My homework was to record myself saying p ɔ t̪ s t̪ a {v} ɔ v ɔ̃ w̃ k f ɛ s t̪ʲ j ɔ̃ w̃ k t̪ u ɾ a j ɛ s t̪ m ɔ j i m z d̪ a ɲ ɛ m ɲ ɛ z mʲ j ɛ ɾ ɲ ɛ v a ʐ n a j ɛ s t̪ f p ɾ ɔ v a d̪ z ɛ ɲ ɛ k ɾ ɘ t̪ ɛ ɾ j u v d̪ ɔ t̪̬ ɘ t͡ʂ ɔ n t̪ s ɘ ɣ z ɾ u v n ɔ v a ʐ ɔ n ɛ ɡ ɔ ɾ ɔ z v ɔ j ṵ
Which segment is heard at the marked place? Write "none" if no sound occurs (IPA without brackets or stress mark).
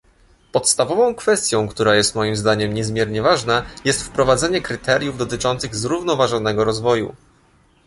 v